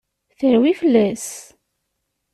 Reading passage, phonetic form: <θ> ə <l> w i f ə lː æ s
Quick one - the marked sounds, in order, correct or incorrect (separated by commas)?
correct, incorrect